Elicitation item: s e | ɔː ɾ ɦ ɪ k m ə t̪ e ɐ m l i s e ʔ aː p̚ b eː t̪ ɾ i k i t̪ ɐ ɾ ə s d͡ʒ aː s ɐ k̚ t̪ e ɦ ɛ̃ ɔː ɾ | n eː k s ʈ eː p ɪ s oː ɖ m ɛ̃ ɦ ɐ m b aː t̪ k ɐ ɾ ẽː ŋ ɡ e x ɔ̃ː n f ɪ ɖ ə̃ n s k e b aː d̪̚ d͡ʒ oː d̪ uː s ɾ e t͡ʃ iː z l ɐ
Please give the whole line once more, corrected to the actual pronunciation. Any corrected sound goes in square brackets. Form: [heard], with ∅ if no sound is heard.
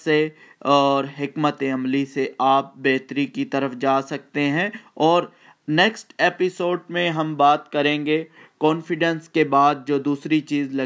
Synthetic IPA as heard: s e | ɔː ɾ ɦ ɪ k m ə t̪ e ɐ m l i s e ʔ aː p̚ b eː t̪ ɾ i k i t̪ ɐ ɾ ə [f] d͡ʒ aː s ɐ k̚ t̪ e ɦ ɛ̃ ɔː ɾ | n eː k s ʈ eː p ɪ s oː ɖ m [ẽ] ɦ ɐ m b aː t̪ k ɐ ɾ ẽː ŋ ɡ e [k] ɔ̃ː n f ɪ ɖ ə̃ n s k e b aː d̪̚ d͡ʒ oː d̪ uː s ɾ [i] t͡ʃ iː z l ɐ